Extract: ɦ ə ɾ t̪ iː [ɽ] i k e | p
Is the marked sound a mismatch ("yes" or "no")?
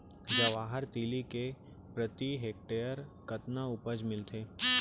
yes